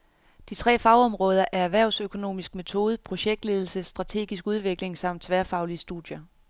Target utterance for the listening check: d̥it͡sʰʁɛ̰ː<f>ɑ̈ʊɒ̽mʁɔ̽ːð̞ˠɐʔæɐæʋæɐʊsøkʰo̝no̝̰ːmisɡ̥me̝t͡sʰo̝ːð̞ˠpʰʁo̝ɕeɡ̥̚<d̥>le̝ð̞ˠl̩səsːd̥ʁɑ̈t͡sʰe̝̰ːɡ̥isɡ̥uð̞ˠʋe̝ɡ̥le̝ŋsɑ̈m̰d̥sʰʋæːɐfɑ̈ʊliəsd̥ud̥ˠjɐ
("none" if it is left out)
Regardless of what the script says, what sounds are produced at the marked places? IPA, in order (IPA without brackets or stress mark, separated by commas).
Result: f, d̥